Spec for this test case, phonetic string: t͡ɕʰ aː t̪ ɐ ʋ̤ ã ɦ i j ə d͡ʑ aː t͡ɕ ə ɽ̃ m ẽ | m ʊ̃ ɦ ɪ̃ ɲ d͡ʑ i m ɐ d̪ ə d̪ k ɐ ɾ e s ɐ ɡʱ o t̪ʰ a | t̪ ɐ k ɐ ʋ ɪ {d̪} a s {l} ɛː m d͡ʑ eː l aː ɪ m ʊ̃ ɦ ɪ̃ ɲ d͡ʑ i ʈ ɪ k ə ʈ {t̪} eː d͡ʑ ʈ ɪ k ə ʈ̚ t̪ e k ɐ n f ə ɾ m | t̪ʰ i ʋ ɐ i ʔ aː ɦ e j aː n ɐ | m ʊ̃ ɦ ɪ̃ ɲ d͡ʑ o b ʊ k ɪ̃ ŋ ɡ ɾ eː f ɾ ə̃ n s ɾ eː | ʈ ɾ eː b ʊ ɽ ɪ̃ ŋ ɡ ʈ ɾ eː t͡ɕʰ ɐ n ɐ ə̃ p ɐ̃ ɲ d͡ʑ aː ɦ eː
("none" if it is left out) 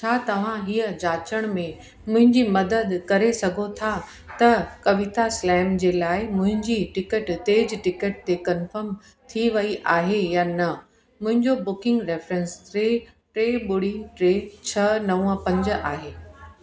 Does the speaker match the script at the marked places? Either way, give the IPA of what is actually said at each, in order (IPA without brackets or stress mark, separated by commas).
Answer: t̪, l, t̪